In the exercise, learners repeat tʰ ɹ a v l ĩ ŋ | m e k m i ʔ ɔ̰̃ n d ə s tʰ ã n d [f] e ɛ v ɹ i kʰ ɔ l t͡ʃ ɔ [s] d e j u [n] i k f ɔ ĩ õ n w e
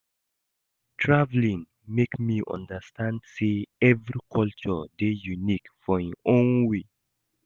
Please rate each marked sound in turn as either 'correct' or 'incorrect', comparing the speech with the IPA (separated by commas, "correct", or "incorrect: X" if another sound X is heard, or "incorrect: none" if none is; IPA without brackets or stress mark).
incorrect: s, incorrect: none, correct